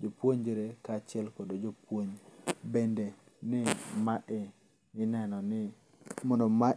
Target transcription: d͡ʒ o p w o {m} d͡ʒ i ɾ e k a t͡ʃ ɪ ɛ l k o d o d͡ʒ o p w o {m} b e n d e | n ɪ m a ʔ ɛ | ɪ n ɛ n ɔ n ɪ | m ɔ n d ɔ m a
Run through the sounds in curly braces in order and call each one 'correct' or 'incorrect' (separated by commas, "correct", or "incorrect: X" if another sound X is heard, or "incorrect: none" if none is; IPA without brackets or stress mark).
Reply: incorrect: ɲ, incorrect: ɲ